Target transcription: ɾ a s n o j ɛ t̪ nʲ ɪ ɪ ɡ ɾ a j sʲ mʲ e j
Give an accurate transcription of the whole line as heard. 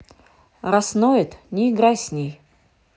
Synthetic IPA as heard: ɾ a s n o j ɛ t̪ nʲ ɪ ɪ ɡ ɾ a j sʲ nʲ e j